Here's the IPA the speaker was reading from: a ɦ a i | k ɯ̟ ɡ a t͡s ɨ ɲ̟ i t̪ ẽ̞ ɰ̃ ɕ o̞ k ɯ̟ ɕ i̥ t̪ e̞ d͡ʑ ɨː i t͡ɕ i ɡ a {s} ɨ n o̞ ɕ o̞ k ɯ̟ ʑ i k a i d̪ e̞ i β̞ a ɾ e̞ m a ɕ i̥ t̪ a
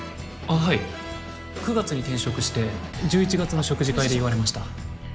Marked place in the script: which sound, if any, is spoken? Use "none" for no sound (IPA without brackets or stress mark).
t͡s